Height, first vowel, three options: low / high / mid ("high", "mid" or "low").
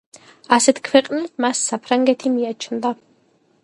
low